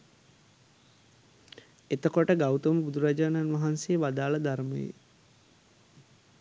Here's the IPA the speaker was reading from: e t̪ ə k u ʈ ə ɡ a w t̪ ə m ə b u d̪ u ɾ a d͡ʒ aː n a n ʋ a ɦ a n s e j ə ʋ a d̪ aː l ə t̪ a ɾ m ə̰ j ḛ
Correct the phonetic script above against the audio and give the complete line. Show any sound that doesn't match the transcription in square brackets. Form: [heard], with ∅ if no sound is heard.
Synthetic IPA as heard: e t̪ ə k [o] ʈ ə ɡ a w t̪ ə m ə b u d̪ u ɾ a d͡ʒ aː n a n ʋ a ɦ a n s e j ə ʋ a d̪ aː l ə [d̪] a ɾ m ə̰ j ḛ